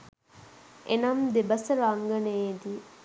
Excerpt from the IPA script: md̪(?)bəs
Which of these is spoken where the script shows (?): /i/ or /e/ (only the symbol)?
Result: e